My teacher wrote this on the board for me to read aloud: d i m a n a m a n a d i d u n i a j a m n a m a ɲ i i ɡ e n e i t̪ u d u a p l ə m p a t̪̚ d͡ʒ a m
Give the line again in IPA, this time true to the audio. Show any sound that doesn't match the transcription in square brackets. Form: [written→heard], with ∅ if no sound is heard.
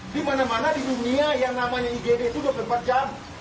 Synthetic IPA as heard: d i m a n a m a n a d i d u n i a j a [m→ŋ] n a m a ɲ [i→a] i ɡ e [n→d] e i t̪ u d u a p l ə m p a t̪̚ d͡ʒ a m